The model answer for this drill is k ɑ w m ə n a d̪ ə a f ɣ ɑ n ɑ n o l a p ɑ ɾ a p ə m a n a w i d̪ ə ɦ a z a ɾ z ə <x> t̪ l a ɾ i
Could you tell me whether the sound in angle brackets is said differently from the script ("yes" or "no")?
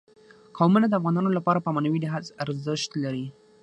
yes